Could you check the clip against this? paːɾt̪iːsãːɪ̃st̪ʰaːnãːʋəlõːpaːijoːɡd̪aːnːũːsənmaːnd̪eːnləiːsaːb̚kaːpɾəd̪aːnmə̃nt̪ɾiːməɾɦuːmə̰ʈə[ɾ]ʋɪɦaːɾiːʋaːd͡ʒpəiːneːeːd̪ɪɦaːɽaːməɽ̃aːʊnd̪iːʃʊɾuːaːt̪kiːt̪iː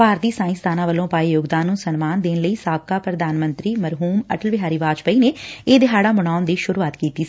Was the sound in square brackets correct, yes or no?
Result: no